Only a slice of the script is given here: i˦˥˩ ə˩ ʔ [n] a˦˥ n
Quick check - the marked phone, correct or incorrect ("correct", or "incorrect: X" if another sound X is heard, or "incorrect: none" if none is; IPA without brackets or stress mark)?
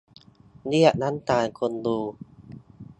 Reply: correct